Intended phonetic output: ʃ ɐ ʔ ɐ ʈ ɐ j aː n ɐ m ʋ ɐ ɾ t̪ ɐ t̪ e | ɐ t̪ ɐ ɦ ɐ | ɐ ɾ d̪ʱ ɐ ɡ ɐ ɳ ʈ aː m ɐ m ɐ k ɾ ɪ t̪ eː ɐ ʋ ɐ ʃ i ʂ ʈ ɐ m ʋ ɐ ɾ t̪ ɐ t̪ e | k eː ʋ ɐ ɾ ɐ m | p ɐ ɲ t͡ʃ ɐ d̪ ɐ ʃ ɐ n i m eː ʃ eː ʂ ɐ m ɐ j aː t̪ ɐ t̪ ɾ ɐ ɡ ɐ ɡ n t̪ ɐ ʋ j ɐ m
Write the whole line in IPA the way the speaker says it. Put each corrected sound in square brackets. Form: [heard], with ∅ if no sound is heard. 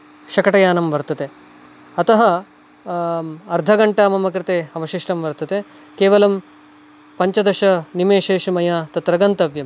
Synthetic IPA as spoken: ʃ ɐ [k] ɐ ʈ ɐ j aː n ɐ m ʋ ɐ ɾ t̪ ɐ t̪ e | ɐ t̪ ɐ ɦ ɐ | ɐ ɾ d̪ʱ ɐ ɡ ɐ ɳ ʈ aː m ɐ m ɐ k ɾ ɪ t̪ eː ɐ ʋ ɐ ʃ i ʂ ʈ ɐ m ʋ ɐ ɾ t̪ ɐ t̪ e | k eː ʋ ɐ [l] ɐ m | p ɐ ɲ t͡ʃ ɐ d̪ ɐ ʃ ɐ n i m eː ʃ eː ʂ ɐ m ɐ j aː t̪ ɐ t̪ ɾ ɐ ɡ ɐ [∅] n t̪ ɐ ʋ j ɐ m